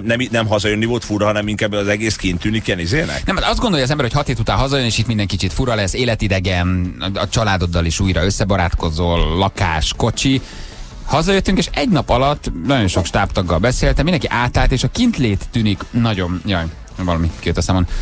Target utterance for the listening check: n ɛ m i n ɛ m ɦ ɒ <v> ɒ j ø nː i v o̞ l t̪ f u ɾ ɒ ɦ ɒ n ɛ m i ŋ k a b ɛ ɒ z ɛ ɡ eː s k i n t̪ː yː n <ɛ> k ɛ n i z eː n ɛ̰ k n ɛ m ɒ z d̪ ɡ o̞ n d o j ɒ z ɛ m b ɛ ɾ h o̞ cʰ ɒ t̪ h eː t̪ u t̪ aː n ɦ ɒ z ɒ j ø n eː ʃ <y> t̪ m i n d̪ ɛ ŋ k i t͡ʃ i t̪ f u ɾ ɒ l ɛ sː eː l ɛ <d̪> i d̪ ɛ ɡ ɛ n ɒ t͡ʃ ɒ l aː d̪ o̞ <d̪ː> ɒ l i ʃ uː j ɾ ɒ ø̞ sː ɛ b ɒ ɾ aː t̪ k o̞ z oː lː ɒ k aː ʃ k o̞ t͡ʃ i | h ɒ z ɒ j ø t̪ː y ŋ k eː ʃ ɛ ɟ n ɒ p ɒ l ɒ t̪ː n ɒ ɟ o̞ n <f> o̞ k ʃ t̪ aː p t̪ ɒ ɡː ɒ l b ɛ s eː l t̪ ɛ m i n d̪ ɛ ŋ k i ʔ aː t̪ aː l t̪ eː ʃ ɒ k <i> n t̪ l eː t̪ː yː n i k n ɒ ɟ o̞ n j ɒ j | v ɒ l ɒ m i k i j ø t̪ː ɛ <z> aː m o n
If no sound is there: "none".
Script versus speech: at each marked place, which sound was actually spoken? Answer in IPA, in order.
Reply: z, i, i, t̪, d̪ː, ʃ, i, s

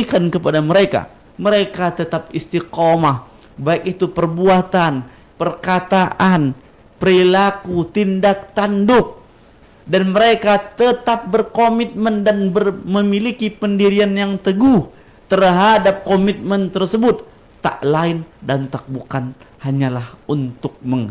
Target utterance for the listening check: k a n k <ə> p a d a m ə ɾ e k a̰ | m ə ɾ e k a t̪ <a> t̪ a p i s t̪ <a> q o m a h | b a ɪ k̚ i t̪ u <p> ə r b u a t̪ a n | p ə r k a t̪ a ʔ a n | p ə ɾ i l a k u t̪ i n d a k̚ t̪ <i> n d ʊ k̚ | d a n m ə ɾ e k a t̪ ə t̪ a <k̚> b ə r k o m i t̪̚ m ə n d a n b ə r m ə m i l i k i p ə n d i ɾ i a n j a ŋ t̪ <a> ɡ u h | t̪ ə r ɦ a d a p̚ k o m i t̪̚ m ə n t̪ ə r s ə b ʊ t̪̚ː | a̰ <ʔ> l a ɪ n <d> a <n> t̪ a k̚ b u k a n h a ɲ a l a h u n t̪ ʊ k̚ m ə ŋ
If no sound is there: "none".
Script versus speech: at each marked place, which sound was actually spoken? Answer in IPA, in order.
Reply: ə, ə, i, p, a, p̚, ə, ʔ, d, n

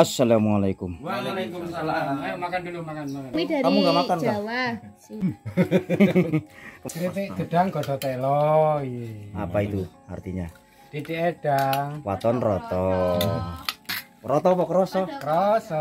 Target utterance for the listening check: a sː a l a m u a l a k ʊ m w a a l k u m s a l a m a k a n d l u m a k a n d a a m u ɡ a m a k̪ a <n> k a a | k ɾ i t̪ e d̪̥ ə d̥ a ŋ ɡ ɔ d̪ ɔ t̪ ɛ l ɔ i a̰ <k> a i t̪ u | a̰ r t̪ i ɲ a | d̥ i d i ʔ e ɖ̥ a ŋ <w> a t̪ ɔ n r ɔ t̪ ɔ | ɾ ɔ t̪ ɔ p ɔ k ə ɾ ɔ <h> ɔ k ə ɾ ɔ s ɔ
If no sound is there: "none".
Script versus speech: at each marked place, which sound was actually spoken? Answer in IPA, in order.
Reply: n, p, w, s

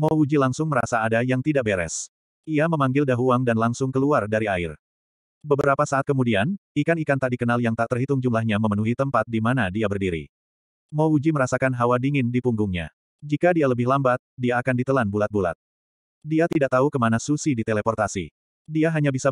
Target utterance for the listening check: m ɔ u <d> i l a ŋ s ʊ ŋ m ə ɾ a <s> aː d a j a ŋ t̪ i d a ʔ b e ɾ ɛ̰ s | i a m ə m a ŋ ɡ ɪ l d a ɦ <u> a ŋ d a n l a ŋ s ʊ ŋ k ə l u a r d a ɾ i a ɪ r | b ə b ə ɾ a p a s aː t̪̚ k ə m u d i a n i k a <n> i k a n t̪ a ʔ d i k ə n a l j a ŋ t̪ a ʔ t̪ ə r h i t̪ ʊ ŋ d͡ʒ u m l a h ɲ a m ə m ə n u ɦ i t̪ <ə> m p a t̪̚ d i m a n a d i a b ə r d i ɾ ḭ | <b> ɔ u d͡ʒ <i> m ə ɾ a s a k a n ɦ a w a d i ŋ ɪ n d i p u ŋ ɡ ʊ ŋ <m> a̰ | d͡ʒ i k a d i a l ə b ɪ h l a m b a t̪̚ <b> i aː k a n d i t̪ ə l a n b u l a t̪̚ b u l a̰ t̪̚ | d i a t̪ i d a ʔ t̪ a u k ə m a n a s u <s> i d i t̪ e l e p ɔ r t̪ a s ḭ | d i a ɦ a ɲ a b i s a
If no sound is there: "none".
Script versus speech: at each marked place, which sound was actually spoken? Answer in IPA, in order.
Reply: d͡ʒ, s, u, n, ə, m, i, ɲ, d, s

